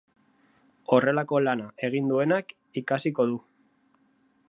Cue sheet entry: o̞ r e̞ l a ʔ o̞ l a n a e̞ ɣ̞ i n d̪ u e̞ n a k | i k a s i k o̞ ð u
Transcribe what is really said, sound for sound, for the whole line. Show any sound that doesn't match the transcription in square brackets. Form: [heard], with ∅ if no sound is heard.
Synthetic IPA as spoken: o̞ r e̞ l a [k] o̞ l a n a e̞ ɣ̞ i n d̪ u e̞ n a k | i k a s i k o̞ ð u